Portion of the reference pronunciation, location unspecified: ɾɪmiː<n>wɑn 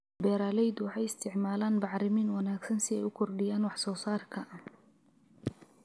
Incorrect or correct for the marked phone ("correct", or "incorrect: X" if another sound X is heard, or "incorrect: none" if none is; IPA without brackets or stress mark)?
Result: correct